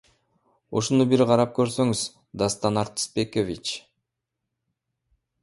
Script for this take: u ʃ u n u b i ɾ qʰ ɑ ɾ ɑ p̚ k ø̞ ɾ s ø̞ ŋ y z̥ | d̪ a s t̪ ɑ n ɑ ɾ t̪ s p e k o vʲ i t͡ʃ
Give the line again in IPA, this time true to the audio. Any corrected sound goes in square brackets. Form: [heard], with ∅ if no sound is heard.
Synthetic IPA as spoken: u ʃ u n u b i ɾ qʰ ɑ ɾ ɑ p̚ k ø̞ ɾ s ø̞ ŋ y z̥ | d̪ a s t̪ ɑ n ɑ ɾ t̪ s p e k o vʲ i t͡ʃ